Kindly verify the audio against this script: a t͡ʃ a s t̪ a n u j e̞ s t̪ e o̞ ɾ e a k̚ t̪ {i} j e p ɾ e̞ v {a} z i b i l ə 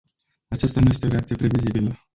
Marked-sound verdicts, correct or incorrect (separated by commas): correct, incorrect